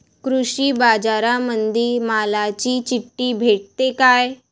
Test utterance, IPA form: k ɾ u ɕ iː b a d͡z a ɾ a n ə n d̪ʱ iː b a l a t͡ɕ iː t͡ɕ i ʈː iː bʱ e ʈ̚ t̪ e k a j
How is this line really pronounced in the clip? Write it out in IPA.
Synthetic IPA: k ɾ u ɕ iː b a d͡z a ɾ a m ə n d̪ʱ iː m a l a t͡ɕ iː t͡ɕ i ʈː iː bʱ e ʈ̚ t̪ e k a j